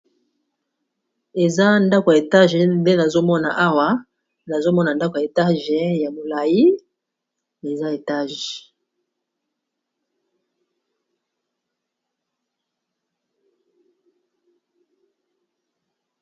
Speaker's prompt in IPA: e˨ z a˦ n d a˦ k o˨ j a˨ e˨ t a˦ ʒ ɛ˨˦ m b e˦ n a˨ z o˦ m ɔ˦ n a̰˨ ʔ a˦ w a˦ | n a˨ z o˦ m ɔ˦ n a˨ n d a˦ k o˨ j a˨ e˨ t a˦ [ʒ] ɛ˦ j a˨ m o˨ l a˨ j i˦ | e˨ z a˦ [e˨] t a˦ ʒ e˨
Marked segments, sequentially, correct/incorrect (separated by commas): correct, correct